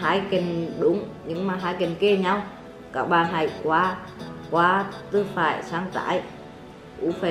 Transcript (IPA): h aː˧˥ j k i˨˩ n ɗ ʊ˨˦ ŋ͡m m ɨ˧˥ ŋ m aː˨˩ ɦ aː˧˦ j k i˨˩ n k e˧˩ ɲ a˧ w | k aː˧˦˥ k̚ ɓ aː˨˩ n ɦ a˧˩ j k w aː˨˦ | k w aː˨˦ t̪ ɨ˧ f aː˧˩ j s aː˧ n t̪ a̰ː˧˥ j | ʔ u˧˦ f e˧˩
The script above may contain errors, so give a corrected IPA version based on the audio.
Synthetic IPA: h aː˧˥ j k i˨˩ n ɗ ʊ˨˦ ŋ͡m ɲ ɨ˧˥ ŋ m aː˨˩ ɦ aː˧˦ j k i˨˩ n k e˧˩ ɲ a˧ w | k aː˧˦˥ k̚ ɓ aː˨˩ n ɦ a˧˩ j k w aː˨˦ | k w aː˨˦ t̪ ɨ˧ f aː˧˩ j s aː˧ ŋ t̪ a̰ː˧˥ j | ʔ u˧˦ f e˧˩